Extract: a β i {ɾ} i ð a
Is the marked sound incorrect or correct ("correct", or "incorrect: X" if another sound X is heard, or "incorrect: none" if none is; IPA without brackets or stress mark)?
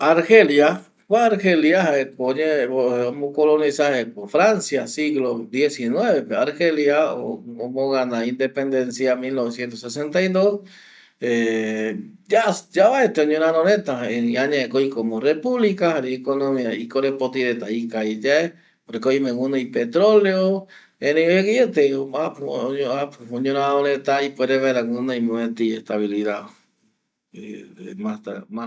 incorrect: l